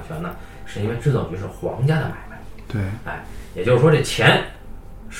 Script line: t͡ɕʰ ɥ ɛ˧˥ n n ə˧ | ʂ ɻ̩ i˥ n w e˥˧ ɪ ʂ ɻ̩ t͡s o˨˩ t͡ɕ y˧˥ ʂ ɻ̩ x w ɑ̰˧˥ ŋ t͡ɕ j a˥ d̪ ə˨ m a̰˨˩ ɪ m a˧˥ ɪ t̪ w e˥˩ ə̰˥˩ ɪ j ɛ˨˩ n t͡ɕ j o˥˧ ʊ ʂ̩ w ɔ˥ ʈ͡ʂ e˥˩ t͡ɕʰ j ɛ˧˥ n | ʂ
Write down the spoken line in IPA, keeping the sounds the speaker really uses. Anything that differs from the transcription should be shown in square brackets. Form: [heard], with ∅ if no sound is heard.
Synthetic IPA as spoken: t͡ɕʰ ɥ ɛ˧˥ n n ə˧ | ʂ ɻ̩ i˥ n w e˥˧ ɪ [ʈ͡ʂ] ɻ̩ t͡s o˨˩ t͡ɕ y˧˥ ʂ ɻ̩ x w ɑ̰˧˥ ŋ t͡ɕ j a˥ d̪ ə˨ m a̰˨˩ ɪ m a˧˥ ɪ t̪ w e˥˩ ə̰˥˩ ɪ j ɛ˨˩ [∅] t͡ɕ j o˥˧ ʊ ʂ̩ w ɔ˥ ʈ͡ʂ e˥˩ t͡ɕʰ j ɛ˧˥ n | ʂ